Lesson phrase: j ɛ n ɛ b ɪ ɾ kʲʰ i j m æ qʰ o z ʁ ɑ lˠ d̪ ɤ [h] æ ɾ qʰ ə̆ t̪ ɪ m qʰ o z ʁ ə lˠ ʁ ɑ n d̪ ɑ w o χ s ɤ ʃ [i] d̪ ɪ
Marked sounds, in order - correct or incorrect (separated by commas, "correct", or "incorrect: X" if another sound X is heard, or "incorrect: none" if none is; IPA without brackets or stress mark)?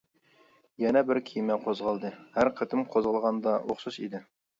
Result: correct, correct